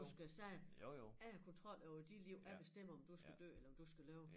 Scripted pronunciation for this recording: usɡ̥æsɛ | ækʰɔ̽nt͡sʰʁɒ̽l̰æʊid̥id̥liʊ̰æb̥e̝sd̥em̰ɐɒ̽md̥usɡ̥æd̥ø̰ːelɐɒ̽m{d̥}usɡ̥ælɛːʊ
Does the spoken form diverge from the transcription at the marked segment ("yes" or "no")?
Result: no